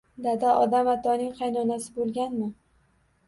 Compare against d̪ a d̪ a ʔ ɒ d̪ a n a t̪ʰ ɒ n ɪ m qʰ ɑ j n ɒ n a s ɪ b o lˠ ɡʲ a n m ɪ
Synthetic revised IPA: d̪ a d̪ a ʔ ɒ d̪ a m a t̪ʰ ɒ n ɪ ŋ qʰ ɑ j n ɒ n a s ɪ b o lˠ ɡʲ a n m ɪ